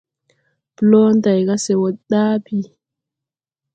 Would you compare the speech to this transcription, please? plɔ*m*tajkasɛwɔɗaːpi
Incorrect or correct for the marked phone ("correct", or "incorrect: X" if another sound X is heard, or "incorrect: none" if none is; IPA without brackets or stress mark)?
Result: incorrect: n